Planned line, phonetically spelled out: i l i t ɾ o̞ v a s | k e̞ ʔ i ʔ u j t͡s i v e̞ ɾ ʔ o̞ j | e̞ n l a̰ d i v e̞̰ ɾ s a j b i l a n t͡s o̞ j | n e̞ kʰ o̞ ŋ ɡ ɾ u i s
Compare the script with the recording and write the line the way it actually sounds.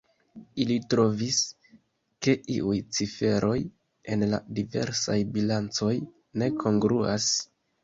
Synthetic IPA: i l i t ɾ o̞ v i s | k e̞ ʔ i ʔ u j t͡s i f e̞ ɾ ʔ o̞ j | e̞ n l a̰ d i v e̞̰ ɾ s a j b i l a n t͡s o̞ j | n e̞ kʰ o̞ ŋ ɡ ɾ u a s